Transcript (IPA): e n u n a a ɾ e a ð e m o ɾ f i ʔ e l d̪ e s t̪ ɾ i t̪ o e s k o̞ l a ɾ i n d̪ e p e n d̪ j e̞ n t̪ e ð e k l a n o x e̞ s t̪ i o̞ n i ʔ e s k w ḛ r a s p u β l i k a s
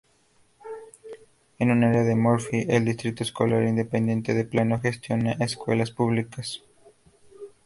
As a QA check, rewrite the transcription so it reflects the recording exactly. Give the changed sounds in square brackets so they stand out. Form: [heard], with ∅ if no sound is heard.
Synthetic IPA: e n u n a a ɾ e a ð e m o ɾ f i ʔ e l d̪ [i] s t̪ ɾ i t̪ o e s k o̞ l a ɾ i n d̪ e p e n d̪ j e̞ n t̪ e ð e [p] l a n o x e̞ s t̪ [j] o̞ n [a] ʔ e s k w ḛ [l] a s p u β l i k a s